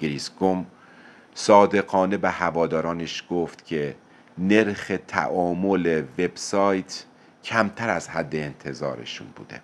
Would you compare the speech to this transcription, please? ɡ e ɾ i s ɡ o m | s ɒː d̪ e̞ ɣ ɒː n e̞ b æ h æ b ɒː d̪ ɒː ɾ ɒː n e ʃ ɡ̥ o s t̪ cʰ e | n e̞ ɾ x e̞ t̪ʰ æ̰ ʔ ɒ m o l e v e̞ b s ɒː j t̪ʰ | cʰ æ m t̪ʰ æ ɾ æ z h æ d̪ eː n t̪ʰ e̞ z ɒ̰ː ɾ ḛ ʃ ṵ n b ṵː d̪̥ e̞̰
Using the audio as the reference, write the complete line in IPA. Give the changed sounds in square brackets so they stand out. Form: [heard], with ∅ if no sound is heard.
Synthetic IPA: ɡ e ɾ i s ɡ o m | s ɒː d̪ e̞ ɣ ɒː n e̞ b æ h æ [v] ɒː d̪ ɒː ɾ ɒː n e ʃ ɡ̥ o [f] t̪ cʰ e | n e̞ ɾ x e̞ t̪ʰ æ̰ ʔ [ɒː] m o l e v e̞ b s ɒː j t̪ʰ | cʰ æ m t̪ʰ æ ɾ æ z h æ [d̪ː] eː n t̪ʰ e̞ z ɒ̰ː ɾ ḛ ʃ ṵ n b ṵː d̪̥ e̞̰